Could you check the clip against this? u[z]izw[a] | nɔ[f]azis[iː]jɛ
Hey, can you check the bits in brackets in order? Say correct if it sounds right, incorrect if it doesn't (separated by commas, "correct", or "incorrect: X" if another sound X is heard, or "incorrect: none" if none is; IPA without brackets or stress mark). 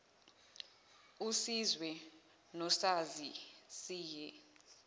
incorrect: s, incorrect: ɛ, incorrect: s, correct